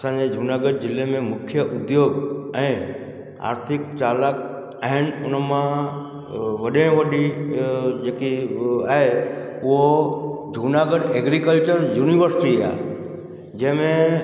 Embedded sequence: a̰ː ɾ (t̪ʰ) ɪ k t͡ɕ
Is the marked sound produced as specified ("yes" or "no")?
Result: yes